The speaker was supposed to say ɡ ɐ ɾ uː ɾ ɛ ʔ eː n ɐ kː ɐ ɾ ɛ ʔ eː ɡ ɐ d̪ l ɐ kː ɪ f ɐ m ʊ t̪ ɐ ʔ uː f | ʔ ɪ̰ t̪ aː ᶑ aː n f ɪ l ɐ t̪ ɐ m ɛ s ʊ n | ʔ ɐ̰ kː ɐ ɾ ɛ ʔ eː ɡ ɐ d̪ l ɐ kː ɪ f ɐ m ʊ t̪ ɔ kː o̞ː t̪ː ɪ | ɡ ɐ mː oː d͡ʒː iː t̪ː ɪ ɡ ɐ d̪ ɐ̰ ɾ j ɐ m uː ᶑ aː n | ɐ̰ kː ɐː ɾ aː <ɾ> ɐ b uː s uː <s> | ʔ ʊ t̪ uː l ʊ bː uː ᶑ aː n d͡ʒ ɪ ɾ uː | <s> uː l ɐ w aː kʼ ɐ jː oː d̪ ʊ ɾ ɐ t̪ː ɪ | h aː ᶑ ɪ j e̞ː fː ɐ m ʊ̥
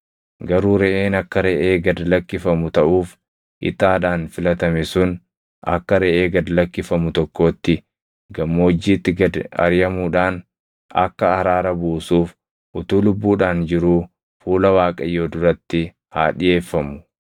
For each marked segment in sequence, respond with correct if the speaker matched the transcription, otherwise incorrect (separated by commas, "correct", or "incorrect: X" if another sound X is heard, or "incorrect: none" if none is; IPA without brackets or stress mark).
correct, incorrect: f, incorrect: f